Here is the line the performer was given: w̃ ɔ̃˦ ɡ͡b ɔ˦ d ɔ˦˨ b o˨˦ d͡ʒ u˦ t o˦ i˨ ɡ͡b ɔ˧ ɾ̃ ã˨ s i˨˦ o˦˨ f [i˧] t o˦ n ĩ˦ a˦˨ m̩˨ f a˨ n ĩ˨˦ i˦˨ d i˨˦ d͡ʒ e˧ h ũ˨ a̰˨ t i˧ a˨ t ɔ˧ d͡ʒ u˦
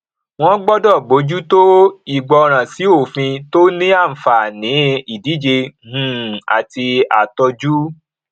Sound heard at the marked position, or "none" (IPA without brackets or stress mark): ĩ˧